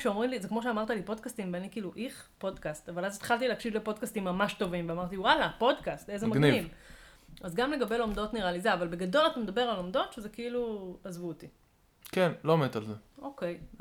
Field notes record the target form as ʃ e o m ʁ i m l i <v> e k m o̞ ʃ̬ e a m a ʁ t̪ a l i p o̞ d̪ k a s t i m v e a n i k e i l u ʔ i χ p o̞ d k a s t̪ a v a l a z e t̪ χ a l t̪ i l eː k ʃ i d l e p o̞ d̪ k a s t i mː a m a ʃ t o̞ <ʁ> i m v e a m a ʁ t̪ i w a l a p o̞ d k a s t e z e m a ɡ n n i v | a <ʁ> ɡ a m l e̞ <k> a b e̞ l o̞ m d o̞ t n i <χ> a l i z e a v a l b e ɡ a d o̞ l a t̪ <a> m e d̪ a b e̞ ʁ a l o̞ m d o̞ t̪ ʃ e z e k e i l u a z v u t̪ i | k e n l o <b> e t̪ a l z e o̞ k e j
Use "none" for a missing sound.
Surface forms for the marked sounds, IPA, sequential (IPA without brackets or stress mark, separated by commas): z, v, z, ɡ, ʁ, a, m